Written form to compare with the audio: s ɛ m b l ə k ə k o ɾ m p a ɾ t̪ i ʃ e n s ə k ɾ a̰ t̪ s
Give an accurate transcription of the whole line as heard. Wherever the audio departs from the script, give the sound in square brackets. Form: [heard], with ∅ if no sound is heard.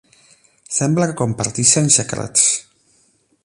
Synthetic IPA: s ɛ m b l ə k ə k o [∅] m p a ɾ t̪ i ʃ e n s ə k ɾ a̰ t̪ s